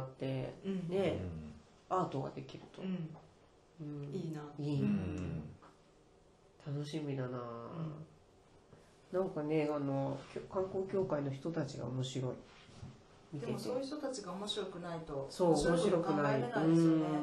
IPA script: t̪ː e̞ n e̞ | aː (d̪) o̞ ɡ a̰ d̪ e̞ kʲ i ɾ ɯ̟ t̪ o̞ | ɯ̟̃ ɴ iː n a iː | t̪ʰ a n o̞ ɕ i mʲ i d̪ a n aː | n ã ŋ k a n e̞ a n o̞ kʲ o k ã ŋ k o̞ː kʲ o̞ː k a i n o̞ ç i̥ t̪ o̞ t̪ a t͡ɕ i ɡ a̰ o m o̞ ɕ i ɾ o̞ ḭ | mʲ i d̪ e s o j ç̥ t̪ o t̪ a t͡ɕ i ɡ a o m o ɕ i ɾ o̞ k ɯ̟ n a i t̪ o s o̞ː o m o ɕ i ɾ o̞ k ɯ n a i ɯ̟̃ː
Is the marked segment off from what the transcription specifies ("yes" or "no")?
yes